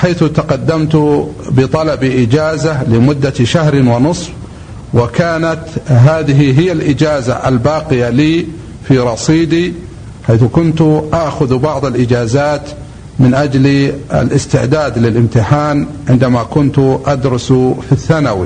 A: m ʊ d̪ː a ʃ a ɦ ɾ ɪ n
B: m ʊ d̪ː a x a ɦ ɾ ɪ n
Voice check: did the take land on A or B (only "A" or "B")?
A